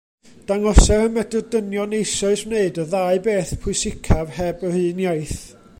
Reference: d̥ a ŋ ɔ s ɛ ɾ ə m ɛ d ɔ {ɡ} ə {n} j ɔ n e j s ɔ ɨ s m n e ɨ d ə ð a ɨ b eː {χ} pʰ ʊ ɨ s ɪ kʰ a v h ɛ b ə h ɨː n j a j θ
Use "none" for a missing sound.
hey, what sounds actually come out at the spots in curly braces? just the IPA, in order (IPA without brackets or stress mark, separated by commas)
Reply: d, n, θ